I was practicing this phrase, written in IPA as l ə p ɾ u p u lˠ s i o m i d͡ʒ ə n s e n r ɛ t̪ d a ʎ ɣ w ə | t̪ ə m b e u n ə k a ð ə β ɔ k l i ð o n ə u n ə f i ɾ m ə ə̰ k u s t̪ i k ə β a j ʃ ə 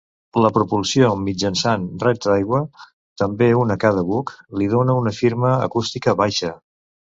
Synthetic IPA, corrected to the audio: l ə p ɾ u p u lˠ s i o m i d͡ʒ ə n s a n r ɛ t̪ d a j ɣ w ə | t̪ ə m b e u n ə k a ð ə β u k l i ð o n ə u n ə f i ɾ m ə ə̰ k u s t̪ i k ə β a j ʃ ə